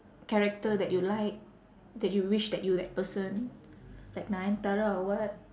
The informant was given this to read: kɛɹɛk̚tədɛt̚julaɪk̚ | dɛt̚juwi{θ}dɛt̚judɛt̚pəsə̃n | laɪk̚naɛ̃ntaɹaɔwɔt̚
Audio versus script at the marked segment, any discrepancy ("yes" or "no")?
yes